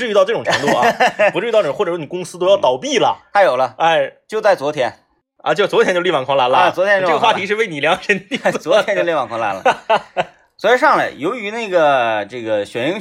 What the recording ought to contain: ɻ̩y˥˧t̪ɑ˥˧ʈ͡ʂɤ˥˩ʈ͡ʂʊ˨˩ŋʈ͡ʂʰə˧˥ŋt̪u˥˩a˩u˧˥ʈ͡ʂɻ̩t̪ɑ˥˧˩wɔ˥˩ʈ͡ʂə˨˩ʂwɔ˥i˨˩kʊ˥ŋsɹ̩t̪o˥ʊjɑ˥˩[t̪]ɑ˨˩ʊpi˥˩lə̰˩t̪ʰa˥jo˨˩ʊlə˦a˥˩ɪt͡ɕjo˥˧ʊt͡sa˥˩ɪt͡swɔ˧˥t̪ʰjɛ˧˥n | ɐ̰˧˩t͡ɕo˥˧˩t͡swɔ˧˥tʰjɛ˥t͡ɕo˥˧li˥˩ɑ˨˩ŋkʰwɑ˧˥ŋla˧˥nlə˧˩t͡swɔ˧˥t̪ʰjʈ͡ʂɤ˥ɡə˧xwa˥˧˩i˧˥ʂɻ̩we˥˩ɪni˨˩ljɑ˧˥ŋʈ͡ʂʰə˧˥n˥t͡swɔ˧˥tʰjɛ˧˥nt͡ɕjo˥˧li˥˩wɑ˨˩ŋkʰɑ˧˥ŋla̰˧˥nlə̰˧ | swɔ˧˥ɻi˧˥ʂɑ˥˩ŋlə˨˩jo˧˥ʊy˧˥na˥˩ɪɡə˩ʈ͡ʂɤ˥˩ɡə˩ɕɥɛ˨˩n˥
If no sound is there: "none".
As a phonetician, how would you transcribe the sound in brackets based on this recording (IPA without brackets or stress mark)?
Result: t̪